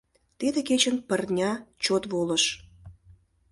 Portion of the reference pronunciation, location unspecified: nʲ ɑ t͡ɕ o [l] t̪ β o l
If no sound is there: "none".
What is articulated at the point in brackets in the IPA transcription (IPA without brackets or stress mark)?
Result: none